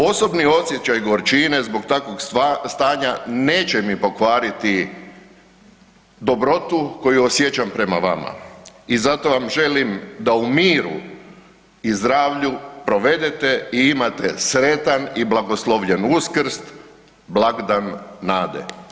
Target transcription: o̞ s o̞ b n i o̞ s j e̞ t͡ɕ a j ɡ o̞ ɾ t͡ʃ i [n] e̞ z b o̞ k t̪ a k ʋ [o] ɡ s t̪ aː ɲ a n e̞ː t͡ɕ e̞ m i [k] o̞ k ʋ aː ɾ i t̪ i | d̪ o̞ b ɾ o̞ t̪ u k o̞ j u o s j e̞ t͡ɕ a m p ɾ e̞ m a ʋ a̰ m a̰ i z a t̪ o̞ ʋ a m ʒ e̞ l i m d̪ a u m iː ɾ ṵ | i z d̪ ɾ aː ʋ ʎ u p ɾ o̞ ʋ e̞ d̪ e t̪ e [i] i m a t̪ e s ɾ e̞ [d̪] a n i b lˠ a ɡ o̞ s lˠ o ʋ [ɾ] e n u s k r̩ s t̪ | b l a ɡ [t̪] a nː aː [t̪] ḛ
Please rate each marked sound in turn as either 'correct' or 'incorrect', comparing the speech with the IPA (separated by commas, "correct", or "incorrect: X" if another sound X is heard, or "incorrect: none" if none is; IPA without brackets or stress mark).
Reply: correct, correct, incorrect: p, correct, incorrect: t̪, incorrect: ʎ, incorrect: d̪, incorrect: d̪